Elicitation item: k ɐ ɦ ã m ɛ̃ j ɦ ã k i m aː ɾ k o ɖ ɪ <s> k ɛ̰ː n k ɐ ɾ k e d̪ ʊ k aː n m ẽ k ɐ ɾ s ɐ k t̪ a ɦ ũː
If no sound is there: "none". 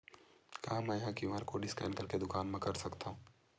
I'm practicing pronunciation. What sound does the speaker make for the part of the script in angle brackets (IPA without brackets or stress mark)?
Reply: s